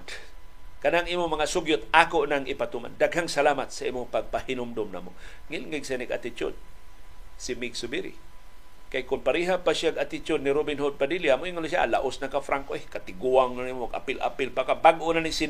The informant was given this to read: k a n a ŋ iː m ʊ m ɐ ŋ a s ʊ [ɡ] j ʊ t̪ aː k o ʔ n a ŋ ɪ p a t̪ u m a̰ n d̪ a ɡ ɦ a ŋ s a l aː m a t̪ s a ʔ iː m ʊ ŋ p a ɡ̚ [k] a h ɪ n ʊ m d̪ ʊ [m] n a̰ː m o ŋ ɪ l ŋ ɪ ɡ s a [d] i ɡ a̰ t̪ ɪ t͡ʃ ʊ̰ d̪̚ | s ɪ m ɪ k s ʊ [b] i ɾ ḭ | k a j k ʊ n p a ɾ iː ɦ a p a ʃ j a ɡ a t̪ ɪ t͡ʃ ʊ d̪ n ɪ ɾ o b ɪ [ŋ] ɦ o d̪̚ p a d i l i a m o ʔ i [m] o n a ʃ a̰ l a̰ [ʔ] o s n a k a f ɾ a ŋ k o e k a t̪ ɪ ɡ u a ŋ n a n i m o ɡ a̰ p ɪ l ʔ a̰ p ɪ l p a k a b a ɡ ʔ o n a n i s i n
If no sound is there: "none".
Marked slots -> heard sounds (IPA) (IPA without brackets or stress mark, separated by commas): ɡ, p, m, n, b, n, ŋ, ʔ